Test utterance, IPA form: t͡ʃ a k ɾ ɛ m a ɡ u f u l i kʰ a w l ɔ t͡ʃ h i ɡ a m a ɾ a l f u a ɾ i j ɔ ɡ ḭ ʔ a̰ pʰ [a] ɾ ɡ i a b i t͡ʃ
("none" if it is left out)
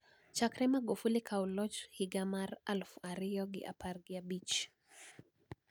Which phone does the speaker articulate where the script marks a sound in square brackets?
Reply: a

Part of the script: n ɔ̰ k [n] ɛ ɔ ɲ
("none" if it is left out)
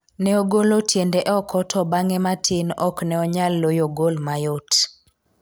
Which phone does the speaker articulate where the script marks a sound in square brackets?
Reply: n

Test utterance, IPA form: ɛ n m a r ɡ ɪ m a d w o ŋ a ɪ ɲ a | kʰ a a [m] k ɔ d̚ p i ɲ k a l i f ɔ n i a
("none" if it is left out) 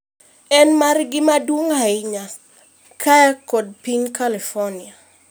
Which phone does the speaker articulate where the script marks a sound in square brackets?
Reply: none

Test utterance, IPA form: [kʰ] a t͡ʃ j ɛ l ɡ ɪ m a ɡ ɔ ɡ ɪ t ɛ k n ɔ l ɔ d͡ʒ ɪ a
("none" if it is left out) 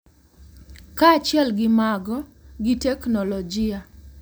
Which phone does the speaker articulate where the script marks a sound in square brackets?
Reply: k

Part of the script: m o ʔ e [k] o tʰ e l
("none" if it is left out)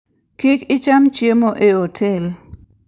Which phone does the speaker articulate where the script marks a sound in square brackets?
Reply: none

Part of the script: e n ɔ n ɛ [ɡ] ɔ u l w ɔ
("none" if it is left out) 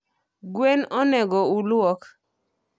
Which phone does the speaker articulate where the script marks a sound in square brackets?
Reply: ɡ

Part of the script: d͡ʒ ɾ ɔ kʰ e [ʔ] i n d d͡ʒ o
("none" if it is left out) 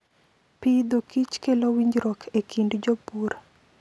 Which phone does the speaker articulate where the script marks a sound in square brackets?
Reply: k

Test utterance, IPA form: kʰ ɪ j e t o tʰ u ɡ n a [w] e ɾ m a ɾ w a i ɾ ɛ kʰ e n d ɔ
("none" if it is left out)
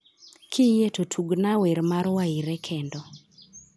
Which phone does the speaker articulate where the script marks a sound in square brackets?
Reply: w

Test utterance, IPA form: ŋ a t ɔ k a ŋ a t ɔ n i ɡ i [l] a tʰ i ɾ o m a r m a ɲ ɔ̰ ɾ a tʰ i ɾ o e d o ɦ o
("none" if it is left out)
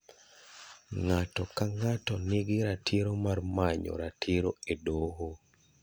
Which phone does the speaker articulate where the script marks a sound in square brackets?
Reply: ɾ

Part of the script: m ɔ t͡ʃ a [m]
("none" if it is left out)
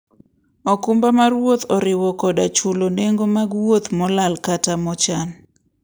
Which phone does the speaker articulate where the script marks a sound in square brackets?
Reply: n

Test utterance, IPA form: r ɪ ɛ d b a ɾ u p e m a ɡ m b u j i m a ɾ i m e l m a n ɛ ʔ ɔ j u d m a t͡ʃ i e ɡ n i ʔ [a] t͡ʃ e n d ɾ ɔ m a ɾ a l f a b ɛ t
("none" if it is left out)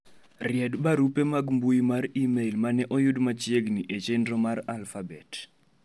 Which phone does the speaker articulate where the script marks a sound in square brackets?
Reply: e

